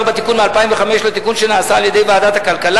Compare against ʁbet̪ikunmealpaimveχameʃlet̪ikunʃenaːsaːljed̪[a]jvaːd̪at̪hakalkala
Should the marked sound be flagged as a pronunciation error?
yes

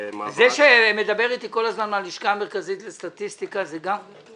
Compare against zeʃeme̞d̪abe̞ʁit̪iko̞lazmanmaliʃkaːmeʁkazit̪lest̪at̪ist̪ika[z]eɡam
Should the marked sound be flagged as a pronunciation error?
no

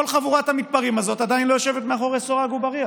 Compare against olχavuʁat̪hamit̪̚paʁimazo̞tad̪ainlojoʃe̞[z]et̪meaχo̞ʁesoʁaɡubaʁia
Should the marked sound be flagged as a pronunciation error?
yes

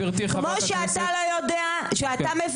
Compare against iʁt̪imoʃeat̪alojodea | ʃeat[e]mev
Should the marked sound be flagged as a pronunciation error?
yes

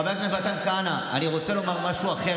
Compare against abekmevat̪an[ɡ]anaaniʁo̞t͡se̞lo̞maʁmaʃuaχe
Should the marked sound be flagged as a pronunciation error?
yes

